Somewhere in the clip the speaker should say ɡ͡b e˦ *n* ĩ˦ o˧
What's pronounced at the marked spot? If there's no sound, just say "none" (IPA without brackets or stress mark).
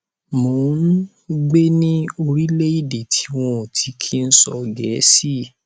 n